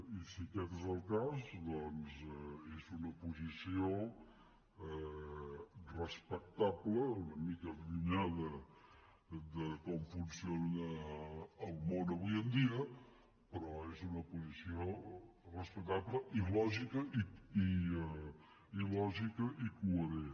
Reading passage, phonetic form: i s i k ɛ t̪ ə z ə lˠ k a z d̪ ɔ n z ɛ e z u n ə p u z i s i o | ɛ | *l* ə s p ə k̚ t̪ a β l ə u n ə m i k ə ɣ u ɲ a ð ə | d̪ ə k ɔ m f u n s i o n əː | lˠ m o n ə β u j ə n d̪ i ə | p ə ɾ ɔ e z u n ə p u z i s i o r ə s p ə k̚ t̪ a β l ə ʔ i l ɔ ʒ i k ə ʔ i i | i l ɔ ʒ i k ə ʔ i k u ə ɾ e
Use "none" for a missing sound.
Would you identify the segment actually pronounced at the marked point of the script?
r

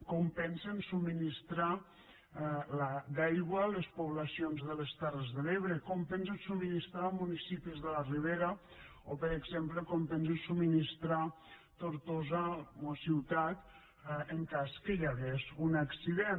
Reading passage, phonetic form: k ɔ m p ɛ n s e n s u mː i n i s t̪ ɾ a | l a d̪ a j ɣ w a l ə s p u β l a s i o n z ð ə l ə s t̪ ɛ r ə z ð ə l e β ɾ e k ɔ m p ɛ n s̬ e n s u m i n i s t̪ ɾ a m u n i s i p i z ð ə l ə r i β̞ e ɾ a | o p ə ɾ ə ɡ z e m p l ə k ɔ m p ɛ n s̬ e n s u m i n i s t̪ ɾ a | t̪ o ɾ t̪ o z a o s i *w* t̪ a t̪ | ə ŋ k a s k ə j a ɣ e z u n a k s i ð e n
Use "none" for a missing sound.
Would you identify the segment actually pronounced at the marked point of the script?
w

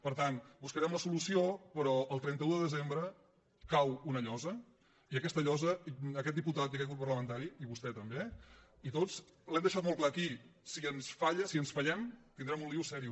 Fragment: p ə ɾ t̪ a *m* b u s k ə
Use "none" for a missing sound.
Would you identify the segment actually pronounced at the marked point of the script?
n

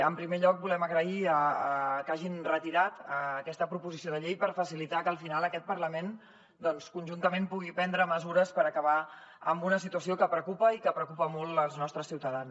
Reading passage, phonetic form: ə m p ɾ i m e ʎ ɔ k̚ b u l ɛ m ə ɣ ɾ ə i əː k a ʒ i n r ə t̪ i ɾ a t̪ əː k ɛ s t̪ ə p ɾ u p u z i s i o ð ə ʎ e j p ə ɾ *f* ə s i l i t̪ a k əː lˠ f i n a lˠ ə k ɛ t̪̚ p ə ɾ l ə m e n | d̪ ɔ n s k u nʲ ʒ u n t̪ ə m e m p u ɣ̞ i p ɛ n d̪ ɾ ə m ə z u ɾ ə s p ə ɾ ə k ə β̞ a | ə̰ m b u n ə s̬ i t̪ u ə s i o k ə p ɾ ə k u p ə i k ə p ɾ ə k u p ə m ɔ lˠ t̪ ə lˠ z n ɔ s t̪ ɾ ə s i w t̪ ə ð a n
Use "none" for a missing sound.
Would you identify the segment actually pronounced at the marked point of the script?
f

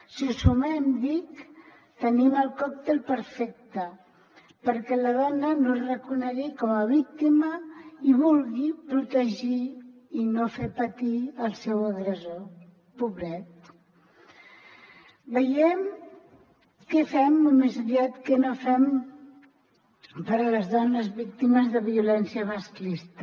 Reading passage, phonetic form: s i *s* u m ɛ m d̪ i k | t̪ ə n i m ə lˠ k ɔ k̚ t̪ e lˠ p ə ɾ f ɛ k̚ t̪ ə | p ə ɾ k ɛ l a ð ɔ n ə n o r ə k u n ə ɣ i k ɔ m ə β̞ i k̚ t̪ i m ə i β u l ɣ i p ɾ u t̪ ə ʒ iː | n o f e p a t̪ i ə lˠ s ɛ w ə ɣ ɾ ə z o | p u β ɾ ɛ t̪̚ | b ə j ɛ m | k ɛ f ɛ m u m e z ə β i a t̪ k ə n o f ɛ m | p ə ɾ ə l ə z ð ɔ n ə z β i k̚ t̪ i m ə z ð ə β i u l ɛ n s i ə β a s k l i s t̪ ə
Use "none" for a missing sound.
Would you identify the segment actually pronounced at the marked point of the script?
s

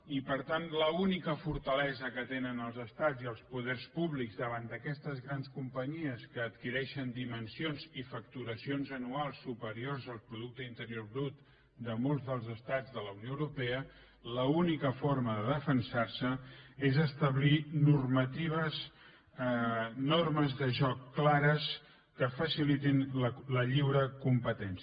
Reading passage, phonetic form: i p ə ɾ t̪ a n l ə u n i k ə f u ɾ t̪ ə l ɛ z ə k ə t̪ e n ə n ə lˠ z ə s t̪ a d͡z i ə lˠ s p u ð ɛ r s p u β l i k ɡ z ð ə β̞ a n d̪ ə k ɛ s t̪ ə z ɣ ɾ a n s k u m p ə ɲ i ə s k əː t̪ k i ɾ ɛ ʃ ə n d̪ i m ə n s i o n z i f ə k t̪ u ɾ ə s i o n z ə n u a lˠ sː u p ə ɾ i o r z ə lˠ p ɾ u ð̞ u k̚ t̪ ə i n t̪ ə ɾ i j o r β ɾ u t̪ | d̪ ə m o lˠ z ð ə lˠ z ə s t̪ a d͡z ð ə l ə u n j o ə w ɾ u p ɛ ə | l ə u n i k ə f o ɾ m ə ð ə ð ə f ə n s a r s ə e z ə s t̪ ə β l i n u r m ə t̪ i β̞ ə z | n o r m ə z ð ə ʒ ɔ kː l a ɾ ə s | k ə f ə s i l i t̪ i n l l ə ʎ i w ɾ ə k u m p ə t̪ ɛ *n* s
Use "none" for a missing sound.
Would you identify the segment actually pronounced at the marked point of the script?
n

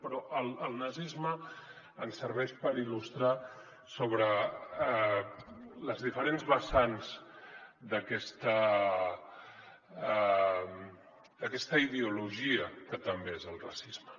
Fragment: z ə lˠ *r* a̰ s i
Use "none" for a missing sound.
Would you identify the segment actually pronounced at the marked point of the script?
r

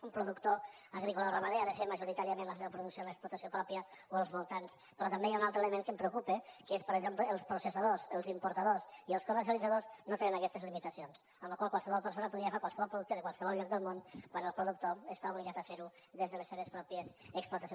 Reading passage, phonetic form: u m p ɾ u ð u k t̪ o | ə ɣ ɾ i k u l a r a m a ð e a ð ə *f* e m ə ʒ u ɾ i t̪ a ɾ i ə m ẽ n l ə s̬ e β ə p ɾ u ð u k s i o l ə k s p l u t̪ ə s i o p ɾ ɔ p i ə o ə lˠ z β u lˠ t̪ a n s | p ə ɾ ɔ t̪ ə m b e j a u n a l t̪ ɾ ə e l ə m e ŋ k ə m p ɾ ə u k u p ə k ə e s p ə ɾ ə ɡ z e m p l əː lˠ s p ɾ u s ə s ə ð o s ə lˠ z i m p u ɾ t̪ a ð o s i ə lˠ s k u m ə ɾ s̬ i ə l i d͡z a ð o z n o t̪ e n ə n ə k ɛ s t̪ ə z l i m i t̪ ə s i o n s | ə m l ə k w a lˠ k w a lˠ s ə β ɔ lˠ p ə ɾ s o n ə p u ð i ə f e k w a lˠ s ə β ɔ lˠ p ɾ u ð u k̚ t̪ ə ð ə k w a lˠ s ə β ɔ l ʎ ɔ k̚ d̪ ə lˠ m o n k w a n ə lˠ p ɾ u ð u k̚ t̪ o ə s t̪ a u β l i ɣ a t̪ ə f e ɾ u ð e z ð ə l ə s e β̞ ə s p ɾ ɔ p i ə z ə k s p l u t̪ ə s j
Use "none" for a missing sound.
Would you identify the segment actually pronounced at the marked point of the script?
f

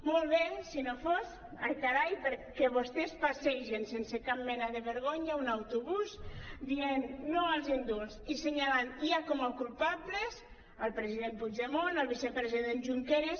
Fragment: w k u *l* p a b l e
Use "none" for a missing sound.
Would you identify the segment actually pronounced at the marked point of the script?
l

